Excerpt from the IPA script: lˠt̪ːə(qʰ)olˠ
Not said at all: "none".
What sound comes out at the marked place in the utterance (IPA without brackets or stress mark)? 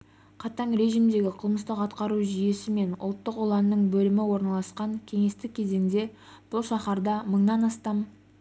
q